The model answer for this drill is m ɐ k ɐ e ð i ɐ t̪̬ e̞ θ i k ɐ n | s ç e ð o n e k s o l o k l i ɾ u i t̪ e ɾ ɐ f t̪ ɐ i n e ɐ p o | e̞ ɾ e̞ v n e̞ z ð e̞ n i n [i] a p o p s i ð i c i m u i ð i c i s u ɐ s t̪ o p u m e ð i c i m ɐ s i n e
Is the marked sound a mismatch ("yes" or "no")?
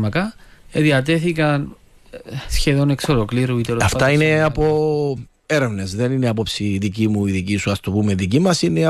yes